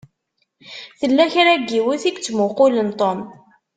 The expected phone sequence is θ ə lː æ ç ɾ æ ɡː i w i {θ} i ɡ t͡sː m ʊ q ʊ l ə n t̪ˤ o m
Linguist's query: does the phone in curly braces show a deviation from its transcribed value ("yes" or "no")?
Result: no